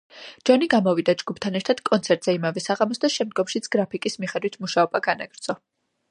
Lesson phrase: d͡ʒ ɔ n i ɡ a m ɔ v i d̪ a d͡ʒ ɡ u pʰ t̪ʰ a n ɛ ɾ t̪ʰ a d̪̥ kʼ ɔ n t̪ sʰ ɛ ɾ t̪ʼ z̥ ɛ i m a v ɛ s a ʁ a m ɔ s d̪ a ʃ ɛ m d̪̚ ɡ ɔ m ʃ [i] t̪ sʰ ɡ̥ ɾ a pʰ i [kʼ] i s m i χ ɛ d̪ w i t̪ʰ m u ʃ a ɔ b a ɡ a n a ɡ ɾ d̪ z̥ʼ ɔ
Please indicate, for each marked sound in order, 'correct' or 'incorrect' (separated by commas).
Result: correct, correct